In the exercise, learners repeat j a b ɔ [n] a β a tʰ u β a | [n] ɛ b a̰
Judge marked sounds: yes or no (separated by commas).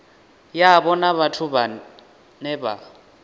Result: yes, yes